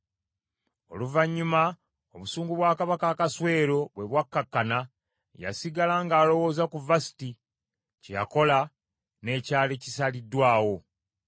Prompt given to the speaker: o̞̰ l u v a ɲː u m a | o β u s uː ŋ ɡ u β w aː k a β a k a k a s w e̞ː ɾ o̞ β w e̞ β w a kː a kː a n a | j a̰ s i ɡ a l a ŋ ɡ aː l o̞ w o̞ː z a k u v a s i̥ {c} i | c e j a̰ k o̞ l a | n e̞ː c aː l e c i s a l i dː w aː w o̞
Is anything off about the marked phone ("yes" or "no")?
yes